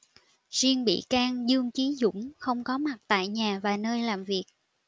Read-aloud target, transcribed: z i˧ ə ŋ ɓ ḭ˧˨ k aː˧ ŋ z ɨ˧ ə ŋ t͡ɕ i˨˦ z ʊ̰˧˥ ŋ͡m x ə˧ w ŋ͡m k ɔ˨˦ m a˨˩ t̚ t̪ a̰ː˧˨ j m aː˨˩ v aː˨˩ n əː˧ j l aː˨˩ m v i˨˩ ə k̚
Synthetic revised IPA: z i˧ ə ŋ ɓ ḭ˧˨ k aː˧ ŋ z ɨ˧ ə ŋ t͡ɕ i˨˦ z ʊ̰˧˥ ŋ͡m x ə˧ w ŋ͡m k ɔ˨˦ m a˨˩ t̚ t̪ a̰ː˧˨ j ɲ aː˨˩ v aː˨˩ n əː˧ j l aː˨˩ m v i˨˩ ə k̚